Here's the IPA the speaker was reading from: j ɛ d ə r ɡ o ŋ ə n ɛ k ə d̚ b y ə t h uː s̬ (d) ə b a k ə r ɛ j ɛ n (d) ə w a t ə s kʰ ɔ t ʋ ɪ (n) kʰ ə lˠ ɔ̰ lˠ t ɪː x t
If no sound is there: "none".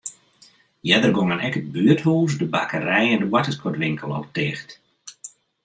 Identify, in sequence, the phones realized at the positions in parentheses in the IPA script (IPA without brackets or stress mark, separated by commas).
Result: d, d, ŋ